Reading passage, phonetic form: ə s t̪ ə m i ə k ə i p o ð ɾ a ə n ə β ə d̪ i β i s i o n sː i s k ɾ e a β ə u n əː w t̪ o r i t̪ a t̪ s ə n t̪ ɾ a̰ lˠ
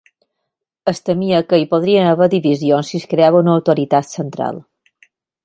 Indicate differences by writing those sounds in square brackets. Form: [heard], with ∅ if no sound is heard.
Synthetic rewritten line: ə s t̪ ə m i ə k ə i p o ð ɾ [i] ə n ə β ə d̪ i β i [z] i o n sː i s k ɾ e a β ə u n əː w t̪ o [ɾ] i t̪ a t̪ s ə n t̪ ɾ a̰ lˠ